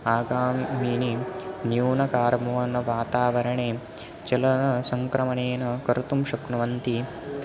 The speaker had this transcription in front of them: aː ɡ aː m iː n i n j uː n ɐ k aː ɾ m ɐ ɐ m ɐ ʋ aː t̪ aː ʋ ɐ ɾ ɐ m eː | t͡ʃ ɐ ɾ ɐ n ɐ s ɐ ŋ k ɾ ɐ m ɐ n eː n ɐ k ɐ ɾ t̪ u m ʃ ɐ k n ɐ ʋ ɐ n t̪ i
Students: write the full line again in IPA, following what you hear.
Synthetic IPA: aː ɡ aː m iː n i n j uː n ɐ k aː ɾ m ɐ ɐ n ɐ ʋ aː t̪ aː ʋ ɐ ɾ ɐ ɳ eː | t͡ʃ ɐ l ɐ n ɐ s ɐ ŋ k ɾ ɐ m ɐ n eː n ɐ k ɐ ɾ t̪ u m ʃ ɐ k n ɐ ʋ ɐ n t̪ i

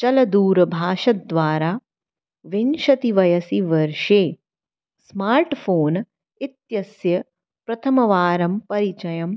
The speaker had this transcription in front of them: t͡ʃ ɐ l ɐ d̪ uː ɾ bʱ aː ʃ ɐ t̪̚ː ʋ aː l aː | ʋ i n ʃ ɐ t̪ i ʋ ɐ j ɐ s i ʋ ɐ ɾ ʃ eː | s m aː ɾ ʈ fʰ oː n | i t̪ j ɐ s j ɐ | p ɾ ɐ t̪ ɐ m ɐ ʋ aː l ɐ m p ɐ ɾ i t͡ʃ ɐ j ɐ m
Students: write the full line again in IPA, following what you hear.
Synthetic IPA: t͡ʃ ɐ l ɐ d̪ uː ɾ bʱ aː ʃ ɐ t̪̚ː ʋ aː ɾ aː | ʋ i n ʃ ɐ t̪ i ʋ ɐ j ɐ s i ʋ ɐ ɾ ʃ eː | s m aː ɾ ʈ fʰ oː n | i t̪ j ɐ s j ɐ | p ɾ ɐ t̪ʰ ɐ m ɐ ʋ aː ɾ ɐ m p ɐ ɾ i t͡ʃ ɐ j ɐ m

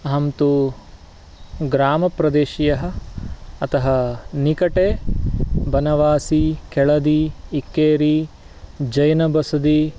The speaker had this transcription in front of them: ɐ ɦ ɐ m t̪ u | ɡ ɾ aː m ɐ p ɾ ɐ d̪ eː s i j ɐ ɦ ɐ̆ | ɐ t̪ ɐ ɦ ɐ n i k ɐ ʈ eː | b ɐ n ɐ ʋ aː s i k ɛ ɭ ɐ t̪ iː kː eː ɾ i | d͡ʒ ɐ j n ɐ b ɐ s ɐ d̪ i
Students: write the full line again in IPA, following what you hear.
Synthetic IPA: ɐ ɦ ɐ m t̪ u | ɡ ɾ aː m ɐ p ɾ ɐ d̪ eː ʃ i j ɐ ɦ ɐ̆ | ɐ t̪ ɐ ɦ ɐ n i k ɐ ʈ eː | b ɐ n ɐ ʋ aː s i k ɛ ɭ ɐ d̪ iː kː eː ɾ i | d͡ʒ ɐ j n ɐ b ɐ s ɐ d̪ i

